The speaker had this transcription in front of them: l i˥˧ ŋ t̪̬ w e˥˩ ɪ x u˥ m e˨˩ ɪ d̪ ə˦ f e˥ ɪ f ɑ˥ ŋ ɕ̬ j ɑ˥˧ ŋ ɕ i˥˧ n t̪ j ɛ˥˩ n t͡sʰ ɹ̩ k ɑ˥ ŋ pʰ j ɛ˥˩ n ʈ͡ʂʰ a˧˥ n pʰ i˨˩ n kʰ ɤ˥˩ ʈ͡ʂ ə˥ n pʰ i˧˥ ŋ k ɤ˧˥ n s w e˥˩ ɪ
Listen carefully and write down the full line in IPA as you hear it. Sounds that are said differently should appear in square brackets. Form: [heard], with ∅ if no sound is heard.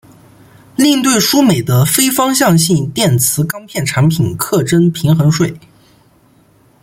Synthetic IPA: l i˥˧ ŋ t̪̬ w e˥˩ ɪ [ʂ] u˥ m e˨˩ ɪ d̪ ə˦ f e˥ ɪ f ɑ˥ ŋ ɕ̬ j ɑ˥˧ ŋ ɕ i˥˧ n t̪ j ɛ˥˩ n t͡sʰ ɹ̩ k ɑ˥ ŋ pʰ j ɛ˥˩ n ʈ͡ʂʰ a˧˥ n pʰ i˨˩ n kʰ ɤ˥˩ ʈ͡ʂ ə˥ n pʰ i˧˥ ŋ [x] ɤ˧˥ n [ʂ] w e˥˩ ɪ